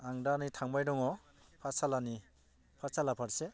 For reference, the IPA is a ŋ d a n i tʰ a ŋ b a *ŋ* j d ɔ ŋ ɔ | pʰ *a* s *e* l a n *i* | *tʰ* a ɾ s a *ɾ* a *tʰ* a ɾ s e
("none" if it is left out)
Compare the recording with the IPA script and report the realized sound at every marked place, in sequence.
none, a, a, i, pʰ, l, pʰ

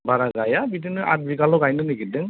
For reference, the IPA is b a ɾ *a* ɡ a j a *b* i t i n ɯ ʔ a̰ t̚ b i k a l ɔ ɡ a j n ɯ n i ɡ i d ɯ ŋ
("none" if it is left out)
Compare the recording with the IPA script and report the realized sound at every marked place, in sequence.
a, b

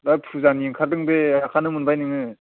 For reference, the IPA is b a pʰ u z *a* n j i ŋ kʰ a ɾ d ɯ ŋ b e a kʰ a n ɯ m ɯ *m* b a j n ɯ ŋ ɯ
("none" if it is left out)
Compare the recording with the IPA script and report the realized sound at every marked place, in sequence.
a, n

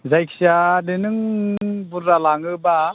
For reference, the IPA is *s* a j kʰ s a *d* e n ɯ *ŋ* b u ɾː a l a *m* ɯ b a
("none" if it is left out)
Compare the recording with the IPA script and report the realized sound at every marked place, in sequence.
z, d, ŋ, ŋ

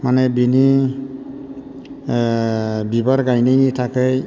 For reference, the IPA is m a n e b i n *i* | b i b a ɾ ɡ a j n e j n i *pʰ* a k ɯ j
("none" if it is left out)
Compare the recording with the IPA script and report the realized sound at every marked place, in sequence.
i, tʰ

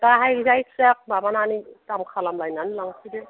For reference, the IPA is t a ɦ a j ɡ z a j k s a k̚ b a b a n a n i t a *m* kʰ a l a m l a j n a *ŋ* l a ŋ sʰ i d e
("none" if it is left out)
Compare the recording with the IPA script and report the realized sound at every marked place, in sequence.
m, n

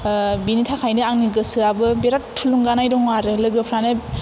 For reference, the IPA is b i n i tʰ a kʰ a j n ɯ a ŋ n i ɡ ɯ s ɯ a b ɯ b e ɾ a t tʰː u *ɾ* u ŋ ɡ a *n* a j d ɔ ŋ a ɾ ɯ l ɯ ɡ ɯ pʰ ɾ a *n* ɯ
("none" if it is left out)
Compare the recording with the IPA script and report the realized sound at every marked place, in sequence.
l, n, n

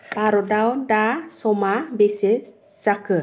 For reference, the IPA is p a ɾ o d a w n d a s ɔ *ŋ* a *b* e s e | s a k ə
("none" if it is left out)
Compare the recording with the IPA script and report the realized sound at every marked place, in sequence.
m, b

